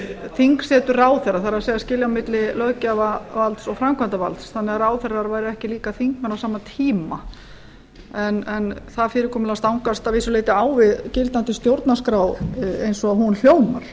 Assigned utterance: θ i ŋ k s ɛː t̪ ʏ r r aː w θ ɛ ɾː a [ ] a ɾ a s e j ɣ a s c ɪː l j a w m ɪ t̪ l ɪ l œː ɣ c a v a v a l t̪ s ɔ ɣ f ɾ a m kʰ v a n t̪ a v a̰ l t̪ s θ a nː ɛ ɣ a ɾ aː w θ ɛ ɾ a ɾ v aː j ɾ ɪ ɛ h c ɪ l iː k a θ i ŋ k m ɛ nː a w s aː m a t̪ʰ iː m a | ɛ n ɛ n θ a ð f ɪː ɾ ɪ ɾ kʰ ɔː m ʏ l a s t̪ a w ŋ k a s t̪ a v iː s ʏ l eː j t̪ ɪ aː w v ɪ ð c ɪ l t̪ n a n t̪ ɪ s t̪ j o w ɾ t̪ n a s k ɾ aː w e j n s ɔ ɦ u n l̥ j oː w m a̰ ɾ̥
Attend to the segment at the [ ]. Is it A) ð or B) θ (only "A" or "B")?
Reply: B